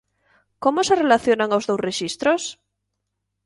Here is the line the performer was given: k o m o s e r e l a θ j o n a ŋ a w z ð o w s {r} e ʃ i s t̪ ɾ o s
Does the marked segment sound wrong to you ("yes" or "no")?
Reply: no